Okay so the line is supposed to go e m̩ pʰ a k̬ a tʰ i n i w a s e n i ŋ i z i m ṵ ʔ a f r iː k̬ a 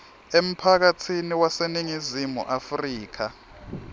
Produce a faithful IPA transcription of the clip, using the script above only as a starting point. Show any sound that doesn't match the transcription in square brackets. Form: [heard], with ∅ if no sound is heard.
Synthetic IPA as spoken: e m̩ pʰ a k̬ a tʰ i n i w a s e n i ŋ i z i m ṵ ʔ a f r iː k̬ a